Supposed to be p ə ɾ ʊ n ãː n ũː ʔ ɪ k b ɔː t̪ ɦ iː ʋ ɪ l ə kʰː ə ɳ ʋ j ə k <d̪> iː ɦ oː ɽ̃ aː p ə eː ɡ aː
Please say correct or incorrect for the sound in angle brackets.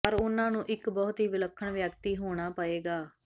incorrect